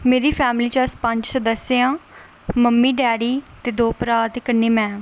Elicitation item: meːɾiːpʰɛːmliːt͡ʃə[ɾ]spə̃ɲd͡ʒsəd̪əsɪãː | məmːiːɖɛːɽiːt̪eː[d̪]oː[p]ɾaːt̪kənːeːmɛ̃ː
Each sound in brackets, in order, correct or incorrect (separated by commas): incorrect, correct, correct